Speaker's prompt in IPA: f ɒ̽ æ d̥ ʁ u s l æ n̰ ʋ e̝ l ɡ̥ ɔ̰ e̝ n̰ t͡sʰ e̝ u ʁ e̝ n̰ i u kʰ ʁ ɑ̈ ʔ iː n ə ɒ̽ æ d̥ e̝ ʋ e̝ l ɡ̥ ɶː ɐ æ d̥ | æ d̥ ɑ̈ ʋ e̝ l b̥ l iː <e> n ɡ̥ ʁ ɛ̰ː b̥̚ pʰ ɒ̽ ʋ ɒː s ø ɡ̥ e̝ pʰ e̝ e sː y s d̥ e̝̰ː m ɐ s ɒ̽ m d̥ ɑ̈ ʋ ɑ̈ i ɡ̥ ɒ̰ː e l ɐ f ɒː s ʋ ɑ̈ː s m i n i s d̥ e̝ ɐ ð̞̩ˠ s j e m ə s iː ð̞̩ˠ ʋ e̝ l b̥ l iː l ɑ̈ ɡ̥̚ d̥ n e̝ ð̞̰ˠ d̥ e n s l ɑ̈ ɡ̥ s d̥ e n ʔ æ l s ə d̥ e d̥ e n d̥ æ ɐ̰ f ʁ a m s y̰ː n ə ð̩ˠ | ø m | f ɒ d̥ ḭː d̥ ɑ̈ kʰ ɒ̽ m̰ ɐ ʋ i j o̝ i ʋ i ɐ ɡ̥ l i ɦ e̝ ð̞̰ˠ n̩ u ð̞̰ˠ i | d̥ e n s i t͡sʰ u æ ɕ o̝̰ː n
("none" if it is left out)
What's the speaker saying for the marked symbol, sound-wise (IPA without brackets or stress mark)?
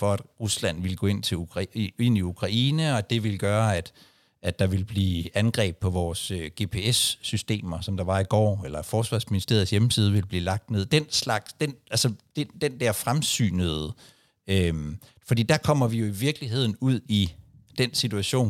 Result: æ